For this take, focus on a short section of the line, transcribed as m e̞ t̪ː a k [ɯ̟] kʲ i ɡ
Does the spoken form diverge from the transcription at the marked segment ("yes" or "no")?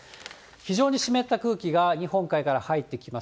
yes